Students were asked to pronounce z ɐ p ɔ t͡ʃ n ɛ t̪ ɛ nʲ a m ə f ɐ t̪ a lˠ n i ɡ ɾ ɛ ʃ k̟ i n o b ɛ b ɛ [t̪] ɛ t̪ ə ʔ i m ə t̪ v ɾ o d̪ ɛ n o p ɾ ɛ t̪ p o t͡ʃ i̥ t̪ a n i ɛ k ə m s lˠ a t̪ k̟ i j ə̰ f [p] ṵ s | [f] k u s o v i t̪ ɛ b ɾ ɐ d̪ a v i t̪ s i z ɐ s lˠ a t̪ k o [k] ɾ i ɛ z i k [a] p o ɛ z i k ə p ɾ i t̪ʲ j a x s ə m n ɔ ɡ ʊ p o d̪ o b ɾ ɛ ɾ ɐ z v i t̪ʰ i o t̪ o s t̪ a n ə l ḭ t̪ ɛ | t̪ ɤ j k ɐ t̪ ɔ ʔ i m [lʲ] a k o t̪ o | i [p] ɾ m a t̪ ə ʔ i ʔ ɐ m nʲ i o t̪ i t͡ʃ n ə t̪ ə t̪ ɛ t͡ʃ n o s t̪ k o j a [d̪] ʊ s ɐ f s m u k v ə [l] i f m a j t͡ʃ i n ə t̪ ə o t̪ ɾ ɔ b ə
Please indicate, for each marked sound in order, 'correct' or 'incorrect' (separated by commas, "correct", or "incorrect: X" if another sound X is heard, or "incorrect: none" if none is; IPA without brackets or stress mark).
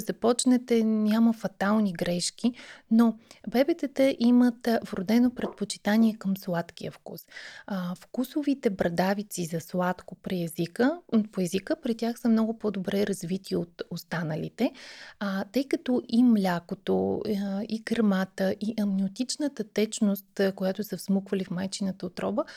correct, incorrect: k, correct, incorrect: p, incorrect: ə, correct, incorrect: k, incorrect: t̪, correct